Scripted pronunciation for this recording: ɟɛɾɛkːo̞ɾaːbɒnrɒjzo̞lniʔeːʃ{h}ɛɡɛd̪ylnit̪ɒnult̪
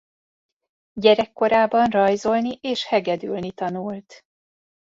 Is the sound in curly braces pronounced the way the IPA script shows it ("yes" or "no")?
yes